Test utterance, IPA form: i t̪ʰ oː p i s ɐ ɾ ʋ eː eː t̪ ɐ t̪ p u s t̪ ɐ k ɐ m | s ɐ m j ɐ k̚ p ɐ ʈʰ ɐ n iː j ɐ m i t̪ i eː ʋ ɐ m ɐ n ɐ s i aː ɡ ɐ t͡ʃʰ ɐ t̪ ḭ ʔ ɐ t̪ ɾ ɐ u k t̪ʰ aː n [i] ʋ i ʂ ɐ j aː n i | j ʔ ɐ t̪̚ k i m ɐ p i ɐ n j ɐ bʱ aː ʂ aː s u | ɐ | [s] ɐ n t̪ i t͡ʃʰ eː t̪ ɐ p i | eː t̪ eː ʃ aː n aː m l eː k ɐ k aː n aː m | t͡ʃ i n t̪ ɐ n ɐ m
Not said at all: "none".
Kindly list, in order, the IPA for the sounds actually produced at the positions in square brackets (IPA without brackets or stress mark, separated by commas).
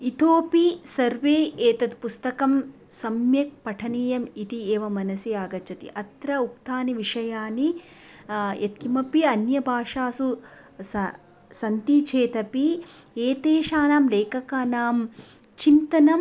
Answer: i, s